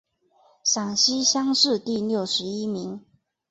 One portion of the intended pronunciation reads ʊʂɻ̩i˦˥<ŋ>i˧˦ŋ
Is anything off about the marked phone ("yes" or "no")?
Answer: yes